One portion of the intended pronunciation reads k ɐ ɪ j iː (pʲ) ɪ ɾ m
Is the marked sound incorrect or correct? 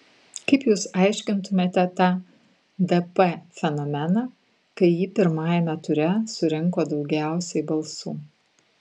correct